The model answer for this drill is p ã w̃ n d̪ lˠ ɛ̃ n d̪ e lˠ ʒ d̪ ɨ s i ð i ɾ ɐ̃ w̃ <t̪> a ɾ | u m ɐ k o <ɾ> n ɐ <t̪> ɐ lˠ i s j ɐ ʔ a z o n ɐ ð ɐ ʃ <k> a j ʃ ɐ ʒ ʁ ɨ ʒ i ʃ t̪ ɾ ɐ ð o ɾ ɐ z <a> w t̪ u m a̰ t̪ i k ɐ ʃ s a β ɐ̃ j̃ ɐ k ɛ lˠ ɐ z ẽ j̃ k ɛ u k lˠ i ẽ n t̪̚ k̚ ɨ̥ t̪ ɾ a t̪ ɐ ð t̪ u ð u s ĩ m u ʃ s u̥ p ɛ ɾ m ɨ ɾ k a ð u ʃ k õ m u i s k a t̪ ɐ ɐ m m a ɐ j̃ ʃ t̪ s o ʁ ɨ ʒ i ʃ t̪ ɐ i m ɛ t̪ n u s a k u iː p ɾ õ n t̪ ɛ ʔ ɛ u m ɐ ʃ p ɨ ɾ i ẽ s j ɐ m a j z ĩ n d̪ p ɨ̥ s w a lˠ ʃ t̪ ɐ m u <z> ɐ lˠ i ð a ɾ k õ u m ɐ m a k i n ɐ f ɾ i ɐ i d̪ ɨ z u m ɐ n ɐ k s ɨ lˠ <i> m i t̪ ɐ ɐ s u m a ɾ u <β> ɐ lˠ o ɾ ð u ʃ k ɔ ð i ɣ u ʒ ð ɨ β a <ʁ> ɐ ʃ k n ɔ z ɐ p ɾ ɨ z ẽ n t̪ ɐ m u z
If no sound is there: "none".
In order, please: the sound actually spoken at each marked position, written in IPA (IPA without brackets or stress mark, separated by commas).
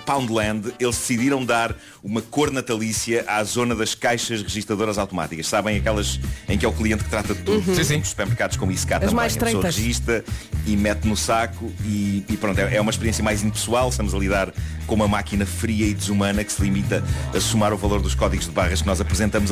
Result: d̪, ɾ, t̪, k, a, z, i, v, ʁ